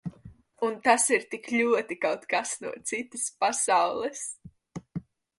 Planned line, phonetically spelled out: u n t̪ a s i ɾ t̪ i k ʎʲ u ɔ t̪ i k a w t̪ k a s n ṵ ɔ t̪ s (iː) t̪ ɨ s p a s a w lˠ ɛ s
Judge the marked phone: incorrect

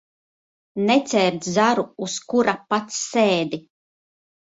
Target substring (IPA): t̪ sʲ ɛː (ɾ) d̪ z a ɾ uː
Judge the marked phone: correct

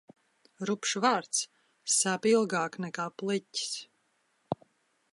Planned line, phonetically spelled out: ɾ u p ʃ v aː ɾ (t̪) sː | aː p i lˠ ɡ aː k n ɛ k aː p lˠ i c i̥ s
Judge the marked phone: correct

